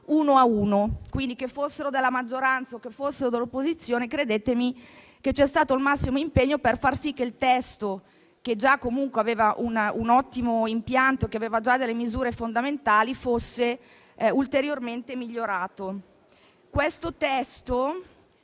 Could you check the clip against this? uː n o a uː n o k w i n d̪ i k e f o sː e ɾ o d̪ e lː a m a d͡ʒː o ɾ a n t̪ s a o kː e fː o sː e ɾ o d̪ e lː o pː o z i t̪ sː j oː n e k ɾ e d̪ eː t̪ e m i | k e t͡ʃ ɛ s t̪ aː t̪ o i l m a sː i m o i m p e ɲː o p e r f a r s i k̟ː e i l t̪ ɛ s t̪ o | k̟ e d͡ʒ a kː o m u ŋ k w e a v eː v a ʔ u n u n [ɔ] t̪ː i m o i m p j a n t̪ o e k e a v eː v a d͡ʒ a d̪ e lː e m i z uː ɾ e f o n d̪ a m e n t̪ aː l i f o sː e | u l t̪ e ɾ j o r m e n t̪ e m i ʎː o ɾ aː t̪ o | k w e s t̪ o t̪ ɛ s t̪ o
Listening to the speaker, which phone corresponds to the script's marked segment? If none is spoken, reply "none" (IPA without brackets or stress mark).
ɔ